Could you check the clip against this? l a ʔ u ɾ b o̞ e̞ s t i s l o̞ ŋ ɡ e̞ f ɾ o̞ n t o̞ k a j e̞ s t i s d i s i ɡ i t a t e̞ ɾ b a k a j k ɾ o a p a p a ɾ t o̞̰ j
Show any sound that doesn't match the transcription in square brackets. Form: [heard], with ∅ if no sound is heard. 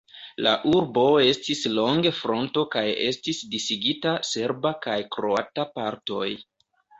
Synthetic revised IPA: l a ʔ u ɾ b o̞ e̞ s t i s l o̞ ŋ ɡ e̞ f ɾ o̞ n t o̞ k a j e̞ s t i s d i s i ɡ i t a [s] e̞ ɾ b a k a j k ɾ o a [t] a p a ɾ t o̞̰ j